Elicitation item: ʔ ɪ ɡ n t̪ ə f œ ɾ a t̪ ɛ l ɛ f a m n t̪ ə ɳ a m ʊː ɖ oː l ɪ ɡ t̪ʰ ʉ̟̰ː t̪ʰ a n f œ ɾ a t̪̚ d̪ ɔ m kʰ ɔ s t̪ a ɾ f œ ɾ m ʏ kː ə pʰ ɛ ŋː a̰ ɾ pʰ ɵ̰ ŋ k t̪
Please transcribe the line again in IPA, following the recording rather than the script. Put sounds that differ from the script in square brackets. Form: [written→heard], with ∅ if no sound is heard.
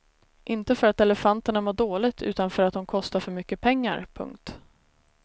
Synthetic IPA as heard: ʔ ɪ [ɡ→∅] n t̪ ə f œ ɾ a t̪ ɛ l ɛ f a [m→∅] n t̪ ə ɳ a m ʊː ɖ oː l ɪ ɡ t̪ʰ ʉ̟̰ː [t̪ʰ→t̪] a n f œ ɾ a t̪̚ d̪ ɔ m kʰ ɔ s t̪ a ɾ f œ ɾ m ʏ kː ə pʰ ɛ ŋː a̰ ɾ pʰ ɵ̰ ŋ k t̪